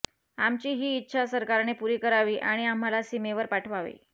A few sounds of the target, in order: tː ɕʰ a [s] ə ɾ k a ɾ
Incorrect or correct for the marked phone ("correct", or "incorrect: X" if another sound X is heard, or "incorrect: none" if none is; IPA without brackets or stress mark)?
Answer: correct